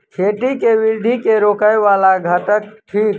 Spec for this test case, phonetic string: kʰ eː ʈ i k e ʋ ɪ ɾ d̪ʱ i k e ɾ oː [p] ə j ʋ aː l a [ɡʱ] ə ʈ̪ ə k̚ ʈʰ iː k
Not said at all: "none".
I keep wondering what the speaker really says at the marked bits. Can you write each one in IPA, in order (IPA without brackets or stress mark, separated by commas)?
k, ɡʱ